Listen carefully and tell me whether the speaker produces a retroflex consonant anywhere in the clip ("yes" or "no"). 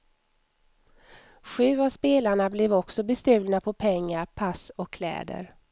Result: yes